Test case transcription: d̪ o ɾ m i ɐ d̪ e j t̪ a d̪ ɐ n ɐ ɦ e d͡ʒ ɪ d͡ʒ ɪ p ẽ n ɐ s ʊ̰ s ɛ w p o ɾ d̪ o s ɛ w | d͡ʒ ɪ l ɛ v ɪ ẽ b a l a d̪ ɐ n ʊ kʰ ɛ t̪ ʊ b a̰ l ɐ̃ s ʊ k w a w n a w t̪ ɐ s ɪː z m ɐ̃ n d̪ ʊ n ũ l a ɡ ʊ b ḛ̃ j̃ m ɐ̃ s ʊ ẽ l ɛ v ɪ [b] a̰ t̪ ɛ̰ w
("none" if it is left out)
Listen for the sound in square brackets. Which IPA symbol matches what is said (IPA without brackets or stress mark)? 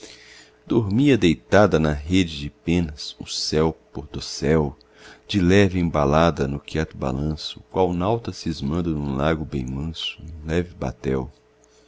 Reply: b